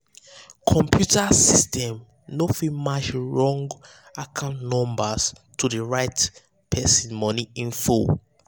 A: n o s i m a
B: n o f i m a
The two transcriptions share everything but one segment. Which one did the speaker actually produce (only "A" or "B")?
B